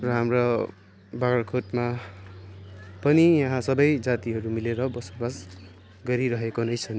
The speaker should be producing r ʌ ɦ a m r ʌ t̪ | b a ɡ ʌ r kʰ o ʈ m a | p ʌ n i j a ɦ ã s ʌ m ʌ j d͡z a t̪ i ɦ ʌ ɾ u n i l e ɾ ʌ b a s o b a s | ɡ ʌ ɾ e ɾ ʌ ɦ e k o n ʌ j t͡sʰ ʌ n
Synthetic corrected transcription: r ʌ ɦ a m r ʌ | b a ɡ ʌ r kʰ o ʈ m a | p ʌ n i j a ɦ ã s ʌ b ʌ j d͡z a t̪ i ɦ ʌ ɾ u m i l e ɾ ʌ b ʌ s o b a s | ɡ ʌ ɾ i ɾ ʌ ɦ e k o n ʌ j t͡sʰ ʌ n